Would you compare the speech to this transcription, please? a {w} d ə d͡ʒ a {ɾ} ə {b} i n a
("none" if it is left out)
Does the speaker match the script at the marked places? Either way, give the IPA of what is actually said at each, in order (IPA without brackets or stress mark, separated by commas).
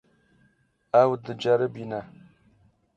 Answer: w, ɾ, b